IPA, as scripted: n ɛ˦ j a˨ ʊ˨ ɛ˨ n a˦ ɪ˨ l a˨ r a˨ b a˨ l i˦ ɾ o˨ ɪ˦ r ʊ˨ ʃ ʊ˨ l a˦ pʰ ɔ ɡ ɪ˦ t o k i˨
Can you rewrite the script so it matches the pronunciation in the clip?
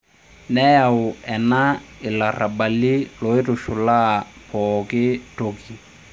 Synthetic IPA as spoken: n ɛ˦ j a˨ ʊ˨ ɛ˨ n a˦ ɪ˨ l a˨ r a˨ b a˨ l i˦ l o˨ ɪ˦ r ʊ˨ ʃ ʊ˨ l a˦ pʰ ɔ k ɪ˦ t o k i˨